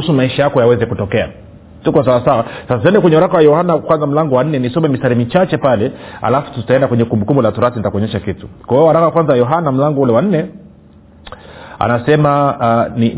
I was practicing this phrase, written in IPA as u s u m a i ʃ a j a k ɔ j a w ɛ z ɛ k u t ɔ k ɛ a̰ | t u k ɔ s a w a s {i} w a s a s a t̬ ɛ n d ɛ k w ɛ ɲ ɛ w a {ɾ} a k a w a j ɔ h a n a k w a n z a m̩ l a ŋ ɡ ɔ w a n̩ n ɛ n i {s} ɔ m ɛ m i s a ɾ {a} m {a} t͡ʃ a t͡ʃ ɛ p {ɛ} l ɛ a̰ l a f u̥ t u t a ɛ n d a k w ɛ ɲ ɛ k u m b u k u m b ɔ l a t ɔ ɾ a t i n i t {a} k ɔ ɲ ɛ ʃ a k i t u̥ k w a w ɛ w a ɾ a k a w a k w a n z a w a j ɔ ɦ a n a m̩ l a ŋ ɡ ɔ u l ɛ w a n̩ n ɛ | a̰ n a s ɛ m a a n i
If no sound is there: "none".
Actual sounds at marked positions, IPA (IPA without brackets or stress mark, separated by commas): a, ɾ, s, i, i, a, a